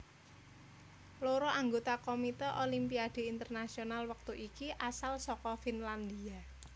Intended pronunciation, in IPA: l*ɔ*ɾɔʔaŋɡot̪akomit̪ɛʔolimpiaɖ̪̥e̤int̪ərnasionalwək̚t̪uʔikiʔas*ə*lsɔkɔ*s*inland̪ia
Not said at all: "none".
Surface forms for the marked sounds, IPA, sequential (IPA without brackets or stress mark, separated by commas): o, a, f